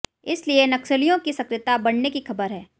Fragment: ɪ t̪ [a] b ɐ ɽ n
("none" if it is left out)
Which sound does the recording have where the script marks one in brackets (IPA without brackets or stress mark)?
a